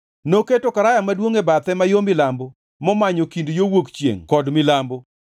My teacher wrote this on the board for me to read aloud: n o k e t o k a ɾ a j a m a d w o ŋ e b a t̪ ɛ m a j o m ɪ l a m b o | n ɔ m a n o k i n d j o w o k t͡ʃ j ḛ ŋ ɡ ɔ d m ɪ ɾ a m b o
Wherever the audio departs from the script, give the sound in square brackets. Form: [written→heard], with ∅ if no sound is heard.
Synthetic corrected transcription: n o k e t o k a ɾ a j a m a d w o ŋ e b a t̪ ɛ m a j o m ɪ l a m b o | [n→m] ɔ m a [n→ɲ] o k i n d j o w o k t͡ʃ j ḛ ŋ [ɡ→k] ɔ d m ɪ [ɾ→l] a m b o